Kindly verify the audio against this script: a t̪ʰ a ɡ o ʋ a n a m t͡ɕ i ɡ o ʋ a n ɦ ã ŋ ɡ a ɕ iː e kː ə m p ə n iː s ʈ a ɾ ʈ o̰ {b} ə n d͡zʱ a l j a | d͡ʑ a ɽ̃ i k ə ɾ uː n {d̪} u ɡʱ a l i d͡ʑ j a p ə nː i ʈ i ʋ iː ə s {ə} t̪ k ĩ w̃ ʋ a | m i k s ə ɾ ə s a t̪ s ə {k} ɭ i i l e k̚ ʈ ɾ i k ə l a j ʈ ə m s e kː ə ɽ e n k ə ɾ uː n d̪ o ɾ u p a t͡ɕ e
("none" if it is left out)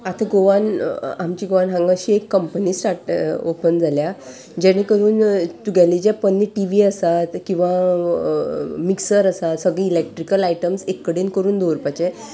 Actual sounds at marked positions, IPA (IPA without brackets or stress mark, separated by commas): p, t̪, a, ɡ